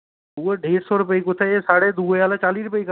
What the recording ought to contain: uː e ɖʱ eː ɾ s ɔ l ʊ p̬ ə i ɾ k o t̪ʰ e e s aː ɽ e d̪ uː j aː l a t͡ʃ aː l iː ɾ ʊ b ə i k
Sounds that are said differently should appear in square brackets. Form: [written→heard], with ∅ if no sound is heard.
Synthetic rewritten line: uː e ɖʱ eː ɾ s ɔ [l→ɾ] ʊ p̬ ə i [ɾ→∅] k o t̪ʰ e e s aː ɽ e d̪ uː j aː l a t͡ʃ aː l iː ɾ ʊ [b→p] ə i k